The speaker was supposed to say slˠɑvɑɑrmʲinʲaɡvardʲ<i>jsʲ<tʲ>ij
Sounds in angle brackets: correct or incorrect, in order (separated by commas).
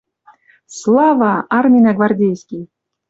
incorrect, incorrect